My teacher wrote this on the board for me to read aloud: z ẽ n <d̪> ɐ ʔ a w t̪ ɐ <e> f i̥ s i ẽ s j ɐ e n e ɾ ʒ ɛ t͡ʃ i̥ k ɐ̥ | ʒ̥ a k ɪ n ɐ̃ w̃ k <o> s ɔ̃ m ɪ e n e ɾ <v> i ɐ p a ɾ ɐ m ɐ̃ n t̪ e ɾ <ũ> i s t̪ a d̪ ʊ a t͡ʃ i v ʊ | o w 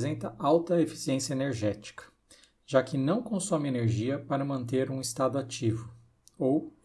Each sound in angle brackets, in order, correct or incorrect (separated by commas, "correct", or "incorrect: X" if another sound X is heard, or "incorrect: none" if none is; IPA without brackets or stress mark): incorrect: t̪, correct, incorrect: õ, incorrect: ʒ, correct